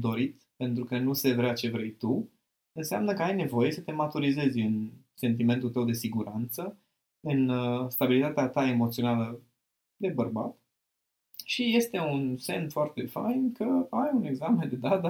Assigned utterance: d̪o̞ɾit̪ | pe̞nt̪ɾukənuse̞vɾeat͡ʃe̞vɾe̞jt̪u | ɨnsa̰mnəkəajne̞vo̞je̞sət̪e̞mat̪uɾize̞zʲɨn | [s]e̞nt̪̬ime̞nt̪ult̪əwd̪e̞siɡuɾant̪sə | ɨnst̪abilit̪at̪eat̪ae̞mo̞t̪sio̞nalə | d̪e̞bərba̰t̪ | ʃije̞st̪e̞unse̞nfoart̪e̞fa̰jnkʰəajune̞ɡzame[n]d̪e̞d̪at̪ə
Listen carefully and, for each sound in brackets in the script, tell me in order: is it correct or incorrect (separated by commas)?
correct, correct